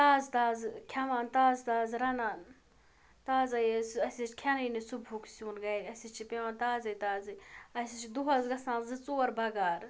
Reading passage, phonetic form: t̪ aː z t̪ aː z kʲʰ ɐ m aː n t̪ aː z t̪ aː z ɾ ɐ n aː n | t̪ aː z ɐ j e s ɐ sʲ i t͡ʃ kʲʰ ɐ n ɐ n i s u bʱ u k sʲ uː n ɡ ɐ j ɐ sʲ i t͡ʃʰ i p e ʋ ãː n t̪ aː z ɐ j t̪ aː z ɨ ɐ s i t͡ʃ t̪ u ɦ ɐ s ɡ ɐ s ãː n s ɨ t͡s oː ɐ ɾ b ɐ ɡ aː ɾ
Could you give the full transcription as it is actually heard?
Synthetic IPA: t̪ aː z t̪ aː z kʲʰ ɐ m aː n t̪ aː z t̪ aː z ɾ ɐ n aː n | t̪ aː z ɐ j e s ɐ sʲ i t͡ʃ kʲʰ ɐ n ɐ n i s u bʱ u k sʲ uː n ɡ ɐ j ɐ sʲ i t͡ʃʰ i p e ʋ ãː n t̪ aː z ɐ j t̪ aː z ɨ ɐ s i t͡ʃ d̪ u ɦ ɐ z ɡ ɐ s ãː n z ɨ t͡s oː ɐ ɾ b ɐ ɡ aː ɾ